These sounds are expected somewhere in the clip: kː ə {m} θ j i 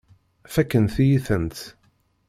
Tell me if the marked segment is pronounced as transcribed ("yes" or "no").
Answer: no